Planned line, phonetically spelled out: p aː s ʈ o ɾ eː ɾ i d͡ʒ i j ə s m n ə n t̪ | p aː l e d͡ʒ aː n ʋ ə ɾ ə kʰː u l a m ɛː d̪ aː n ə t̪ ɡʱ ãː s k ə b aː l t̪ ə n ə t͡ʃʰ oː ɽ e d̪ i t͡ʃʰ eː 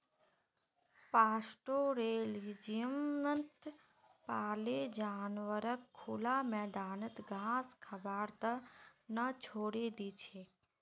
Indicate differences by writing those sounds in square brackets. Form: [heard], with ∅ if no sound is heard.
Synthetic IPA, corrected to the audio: p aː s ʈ o ɾ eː [l] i d͡ʒ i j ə [∅] m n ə n t̪ | p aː l e d͡ʒ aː n ʋ ə ɾ ə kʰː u l a m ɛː d̪ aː n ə t̪ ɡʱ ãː s [kʰ] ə b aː [ɾ] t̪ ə n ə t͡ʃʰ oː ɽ e d̪ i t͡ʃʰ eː